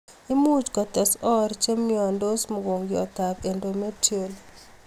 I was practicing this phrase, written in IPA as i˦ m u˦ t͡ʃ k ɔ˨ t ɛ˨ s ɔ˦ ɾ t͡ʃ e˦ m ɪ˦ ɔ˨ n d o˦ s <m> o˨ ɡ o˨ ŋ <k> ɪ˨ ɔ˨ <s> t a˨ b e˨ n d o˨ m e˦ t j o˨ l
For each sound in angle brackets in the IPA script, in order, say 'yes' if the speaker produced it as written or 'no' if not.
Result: yes, no, no

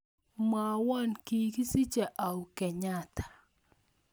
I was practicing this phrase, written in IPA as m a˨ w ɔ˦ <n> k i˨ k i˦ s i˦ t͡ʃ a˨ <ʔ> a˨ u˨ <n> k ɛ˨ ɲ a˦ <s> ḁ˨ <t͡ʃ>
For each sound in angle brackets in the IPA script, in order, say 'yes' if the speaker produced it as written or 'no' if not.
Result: yes, yes, no, no, no

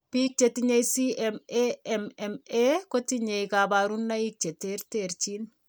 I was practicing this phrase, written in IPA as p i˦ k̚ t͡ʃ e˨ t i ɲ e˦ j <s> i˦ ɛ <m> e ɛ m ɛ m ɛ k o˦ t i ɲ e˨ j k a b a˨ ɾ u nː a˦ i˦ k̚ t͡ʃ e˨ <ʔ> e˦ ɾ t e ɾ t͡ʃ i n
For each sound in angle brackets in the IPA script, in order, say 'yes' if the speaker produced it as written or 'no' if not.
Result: yes, yes, no

